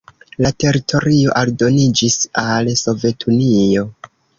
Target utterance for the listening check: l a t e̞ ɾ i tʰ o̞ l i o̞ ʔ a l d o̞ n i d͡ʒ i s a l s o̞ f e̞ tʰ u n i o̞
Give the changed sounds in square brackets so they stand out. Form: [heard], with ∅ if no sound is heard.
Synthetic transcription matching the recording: l a t e̞ ɾ i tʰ o̞ [ɾ] i o̞ ʔ a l d o̞ n i d͡ʒ i s a l s o̞ [v] e̞ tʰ u n i o̞

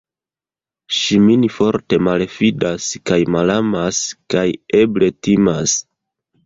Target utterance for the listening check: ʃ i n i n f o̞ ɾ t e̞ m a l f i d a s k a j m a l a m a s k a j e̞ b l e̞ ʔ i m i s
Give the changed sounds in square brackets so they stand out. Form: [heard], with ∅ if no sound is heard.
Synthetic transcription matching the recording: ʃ i [m] i n f o̞ ɾ t e̞ m a l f i d a s k a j m a l a m a s k a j e̞ b l e̞ [t] i m [a] s

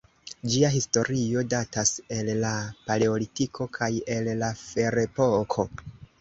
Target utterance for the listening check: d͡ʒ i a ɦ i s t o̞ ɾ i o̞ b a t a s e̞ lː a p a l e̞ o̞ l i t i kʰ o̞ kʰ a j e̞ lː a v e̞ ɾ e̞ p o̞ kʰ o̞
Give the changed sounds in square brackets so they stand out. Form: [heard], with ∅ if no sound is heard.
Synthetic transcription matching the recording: d͡ʒ i a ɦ i s t o̞ ɾ i o̞ [d] a t a s e̞ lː a p a l e̞ o̞ l i t i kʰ o̞ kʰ a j e̞ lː a [f] e̞ ɾ e̞ p o̞ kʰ o̞

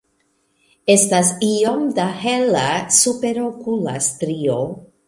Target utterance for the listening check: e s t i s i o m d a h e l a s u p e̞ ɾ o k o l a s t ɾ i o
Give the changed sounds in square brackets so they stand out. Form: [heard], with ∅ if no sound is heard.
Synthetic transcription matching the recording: e s t [a] s i o m d a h e l a s u p e̞ ɾ o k [u] l a s t ɾ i o

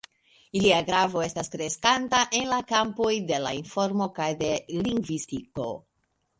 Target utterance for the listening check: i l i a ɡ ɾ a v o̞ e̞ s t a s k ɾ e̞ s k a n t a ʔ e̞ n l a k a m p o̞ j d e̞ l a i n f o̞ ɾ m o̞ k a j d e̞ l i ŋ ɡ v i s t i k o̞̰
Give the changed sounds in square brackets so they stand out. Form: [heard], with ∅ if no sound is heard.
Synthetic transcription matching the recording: i l i a ɡ ɾ a v o̞ e̞ s t a s k ɾ e̞ s k a n t a ʔ e̞ n l a k a m p o̞ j d e̞ l a i n f o̞ ɾ m o̞ k a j d e̞ l i ŋ ɡ v i s t i k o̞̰

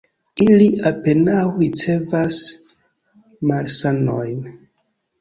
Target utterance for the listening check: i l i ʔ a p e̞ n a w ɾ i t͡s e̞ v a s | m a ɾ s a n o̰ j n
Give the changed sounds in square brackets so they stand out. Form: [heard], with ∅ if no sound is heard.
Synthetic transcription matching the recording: i l i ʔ a p e̞ n a w ɾ i t͡s e̞ v a s | m a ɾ s a n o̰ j n

